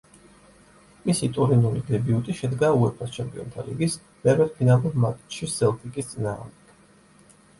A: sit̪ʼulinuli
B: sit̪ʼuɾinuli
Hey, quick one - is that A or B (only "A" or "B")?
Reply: B